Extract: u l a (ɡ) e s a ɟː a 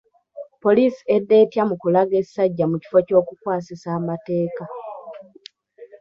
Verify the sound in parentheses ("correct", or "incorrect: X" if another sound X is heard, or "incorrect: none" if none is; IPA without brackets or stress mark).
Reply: correct